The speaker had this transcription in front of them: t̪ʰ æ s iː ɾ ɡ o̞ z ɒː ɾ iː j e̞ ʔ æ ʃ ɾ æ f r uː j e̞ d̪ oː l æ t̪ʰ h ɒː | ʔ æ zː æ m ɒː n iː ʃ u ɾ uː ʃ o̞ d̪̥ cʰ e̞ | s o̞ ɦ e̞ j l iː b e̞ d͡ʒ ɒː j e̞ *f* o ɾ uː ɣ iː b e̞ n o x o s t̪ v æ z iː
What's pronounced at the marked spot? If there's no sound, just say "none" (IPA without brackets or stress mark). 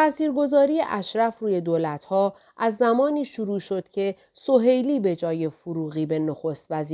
f